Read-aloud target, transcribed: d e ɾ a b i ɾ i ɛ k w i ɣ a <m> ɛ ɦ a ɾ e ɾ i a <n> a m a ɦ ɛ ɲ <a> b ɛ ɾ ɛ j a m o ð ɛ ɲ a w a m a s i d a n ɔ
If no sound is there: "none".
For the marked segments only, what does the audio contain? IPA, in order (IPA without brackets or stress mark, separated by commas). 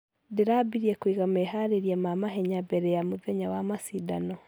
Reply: m, m, a